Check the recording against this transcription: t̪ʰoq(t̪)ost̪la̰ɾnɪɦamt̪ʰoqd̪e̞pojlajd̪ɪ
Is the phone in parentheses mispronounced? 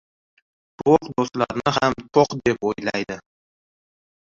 yes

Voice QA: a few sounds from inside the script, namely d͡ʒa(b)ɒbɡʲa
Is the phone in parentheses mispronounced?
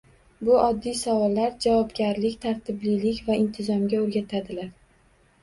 yes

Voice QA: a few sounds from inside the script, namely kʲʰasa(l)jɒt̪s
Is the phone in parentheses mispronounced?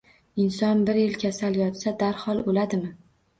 no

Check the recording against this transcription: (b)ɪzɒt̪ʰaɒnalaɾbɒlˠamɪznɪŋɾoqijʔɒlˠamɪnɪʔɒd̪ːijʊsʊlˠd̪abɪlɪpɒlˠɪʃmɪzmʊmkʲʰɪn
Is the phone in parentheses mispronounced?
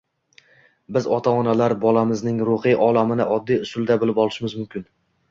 no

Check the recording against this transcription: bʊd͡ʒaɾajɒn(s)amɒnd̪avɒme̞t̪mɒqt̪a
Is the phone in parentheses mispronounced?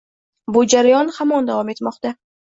yes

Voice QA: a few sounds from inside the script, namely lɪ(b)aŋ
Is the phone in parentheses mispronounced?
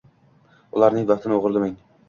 yes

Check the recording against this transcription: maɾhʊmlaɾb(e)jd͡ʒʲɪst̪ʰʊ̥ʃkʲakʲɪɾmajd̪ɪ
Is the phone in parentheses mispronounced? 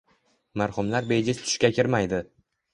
no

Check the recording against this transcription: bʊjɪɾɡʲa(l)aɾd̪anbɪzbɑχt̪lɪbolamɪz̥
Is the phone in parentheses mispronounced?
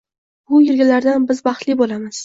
no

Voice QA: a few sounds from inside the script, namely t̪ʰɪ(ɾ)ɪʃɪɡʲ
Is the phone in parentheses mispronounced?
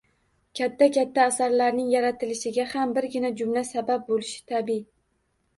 yes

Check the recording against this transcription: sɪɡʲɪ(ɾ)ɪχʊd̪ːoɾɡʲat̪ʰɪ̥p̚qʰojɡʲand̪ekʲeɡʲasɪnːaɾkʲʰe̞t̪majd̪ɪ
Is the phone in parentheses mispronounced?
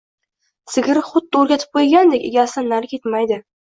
no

